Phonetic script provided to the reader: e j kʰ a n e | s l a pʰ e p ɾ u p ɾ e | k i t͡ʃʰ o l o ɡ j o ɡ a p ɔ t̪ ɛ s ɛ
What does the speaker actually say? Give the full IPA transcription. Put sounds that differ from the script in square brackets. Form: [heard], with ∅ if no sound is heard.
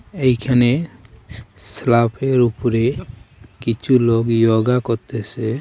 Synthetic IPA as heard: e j kʰ a n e | s l a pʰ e [∅] ɾ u p ɾ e | k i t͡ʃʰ [u] l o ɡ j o ɡ a [k] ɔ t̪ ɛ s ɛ